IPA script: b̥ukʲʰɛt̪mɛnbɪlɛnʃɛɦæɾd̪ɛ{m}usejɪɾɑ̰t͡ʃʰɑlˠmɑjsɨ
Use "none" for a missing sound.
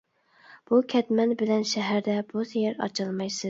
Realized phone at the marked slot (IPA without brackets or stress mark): b